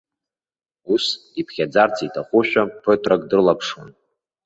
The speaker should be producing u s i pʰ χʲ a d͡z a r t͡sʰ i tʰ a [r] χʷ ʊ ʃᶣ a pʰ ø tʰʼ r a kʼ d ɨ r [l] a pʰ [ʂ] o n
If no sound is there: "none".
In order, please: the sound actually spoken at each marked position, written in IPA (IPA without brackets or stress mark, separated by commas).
none, l, ʂ